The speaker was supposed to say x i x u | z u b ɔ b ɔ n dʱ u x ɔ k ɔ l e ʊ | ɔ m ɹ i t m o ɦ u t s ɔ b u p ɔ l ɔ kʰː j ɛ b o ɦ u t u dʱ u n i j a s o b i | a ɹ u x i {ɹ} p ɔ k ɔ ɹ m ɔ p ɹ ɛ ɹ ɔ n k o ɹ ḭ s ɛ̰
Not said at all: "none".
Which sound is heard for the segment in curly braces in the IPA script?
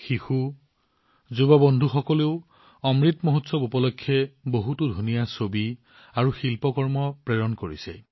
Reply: l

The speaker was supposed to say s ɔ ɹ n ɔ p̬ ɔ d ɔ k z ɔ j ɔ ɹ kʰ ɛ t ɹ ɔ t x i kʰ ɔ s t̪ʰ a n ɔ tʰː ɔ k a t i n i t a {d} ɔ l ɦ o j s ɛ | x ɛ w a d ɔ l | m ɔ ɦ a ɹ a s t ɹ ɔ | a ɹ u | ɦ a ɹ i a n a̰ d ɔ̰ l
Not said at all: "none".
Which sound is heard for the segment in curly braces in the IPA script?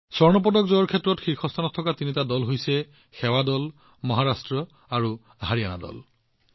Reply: d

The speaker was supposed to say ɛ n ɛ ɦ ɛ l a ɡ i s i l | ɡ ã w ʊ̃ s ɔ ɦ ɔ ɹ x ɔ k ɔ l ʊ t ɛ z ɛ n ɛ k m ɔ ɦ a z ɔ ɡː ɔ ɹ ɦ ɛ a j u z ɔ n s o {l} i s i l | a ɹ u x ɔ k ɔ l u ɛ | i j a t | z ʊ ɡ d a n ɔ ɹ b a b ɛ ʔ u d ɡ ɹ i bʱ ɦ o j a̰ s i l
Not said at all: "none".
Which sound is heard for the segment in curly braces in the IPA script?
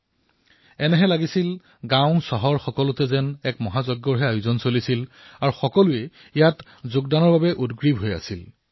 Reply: l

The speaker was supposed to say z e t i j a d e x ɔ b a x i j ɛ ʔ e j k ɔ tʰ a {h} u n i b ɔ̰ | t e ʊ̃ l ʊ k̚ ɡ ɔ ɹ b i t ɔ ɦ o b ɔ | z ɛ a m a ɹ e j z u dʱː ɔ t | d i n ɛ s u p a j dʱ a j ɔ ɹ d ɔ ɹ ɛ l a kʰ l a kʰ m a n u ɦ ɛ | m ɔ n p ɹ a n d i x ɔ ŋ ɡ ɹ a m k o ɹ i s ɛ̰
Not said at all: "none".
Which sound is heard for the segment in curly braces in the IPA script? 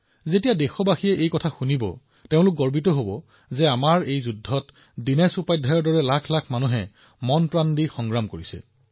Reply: x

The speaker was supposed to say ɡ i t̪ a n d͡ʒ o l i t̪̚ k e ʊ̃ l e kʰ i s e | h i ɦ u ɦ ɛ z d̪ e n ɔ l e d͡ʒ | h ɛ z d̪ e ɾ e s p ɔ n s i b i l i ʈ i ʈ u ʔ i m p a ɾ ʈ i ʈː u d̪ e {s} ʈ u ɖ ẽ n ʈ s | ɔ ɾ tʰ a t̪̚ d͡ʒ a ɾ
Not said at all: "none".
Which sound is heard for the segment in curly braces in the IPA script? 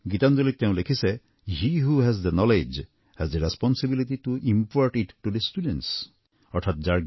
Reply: s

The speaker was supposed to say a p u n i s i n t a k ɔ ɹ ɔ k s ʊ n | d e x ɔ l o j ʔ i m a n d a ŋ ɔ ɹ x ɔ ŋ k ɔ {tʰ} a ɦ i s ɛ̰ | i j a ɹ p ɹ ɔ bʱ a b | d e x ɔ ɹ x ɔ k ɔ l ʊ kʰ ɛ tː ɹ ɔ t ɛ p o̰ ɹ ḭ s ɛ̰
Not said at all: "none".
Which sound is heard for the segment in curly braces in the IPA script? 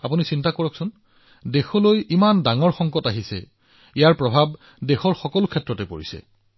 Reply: t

